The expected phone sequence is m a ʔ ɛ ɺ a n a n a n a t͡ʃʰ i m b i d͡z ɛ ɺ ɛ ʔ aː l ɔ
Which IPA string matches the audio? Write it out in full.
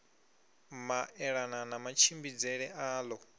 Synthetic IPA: m a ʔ ɛ ɺ a n a n a m a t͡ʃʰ i m b i d͡z ɛ ɺ ɛ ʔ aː l ɔ